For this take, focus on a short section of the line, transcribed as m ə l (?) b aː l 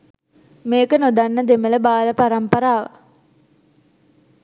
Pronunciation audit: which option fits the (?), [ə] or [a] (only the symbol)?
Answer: ə